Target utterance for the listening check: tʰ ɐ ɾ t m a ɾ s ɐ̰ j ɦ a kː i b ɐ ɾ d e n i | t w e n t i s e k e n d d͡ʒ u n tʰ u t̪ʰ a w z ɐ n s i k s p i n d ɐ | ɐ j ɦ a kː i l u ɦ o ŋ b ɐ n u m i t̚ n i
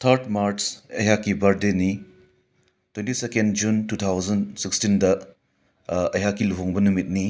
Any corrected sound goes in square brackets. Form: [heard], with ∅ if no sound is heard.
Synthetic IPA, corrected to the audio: tʰ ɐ ɾ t m a ɾ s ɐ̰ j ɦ a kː i b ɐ ɾ d e n i | t w e n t i s e k e n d d͡ʒ u n [t] u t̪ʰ a w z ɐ n s i k s [t] i n d ɐ | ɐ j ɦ a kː i l u ɦ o ŋ b ɐ n u m i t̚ n i

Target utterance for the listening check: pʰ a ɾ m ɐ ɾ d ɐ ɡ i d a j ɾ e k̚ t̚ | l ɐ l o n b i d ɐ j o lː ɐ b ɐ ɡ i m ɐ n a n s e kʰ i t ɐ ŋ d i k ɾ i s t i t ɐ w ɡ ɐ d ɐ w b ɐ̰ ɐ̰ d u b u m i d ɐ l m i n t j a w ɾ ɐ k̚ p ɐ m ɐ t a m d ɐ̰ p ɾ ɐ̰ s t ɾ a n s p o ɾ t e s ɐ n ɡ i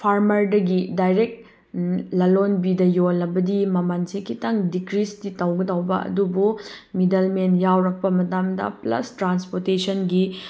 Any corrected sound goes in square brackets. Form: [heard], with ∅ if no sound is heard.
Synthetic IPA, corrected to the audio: pʰ a ɾ m ɐ ɾ d ɐ ɡ i d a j ɾ e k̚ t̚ | l ɐ l o n b i d ɐ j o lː ɐ b ɐ [d] i m ɐ [m] a n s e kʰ i t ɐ ŋ d i k ɾ i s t i t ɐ w ɡ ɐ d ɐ w b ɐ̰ ɐ̰ d u b u m i d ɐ l m [e] n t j a w ɾ ɐ k̚ p ɐ m ɐ t a m d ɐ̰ p [l] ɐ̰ s t ɾ a n s p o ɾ t e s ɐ n ɡ i

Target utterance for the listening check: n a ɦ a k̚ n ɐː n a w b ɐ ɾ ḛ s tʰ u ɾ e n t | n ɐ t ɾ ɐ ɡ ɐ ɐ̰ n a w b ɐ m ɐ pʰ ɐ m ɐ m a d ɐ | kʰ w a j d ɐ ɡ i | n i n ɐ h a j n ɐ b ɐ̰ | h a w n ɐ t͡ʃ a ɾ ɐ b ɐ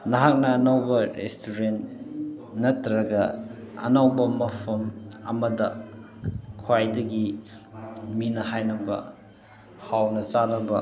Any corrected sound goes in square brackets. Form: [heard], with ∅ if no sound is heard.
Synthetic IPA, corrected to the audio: n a ɦ a k̚ n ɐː n a w b ɐ ɾ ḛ s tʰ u ɾ e n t | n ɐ t ɾ ɐ ɡ ɐ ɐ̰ n a w b ɐ m ɐ pʰ ɐ m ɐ m [ɐ] d ɐ | kʰ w a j d ɐ ɡ i | [m] i n ɐ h a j n ɐ b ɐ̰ | h a w n ɐ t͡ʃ a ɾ ɐ b ɐ

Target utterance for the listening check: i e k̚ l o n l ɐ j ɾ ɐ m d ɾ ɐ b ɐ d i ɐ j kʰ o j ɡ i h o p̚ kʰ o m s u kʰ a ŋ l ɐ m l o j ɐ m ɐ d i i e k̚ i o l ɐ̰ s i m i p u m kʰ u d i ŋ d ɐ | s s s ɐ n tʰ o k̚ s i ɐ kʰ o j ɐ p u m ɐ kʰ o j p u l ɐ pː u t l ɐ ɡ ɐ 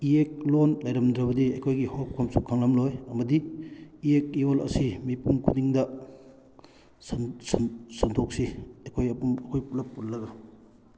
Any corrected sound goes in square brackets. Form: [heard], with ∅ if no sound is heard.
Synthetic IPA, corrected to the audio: i e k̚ l o n l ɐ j ɾ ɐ m d ɾ ɐ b ɐ d i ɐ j kʰ o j ɡ i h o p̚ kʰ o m s u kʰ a ŋ l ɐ m l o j ɐ m ɐ d i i e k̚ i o l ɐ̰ s i m i p u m kʰ u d i ŋ d ɐ | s s s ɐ n tʰ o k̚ s i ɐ kʰ o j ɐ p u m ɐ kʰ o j p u l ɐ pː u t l ɐ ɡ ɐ

